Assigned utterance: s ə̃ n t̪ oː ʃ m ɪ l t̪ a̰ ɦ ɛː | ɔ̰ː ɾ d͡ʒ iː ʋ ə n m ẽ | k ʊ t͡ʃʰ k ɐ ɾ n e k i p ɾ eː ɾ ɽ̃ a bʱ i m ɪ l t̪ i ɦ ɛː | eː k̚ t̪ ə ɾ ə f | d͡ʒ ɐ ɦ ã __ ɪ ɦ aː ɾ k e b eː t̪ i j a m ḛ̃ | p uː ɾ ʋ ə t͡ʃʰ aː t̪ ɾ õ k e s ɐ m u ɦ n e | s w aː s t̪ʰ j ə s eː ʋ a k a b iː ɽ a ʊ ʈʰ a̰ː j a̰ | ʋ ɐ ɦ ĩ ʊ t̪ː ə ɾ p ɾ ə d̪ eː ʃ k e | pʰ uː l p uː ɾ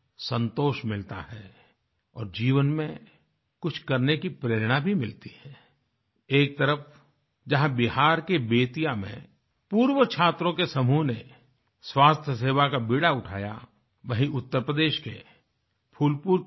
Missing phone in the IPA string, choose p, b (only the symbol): b